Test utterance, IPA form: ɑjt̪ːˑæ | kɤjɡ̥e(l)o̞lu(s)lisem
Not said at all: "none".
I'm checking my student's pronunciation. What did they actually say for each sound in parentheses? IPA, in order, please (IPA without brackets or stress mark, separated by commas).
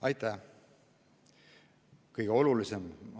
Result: none, none